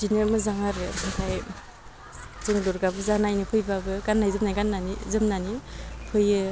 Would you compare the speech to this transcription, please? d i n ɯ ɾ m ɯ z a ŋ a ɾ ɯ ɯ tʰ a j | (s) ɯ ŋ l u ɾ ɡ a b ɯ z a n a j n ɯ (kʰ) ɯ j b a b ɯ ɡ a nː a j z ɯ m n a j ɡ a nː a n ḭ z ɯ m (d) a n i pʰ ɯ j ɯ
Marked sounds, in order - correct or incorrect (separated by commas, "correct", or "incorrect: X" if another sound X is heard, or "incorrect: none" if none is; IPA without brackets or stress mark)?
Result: incorrect: z, incorrect: pʰ, incorrect: n